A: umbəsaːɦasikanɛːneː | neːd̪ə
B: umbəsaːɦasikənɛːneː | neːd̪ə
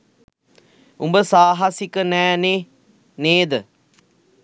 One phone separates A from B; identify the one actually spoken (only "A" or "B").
B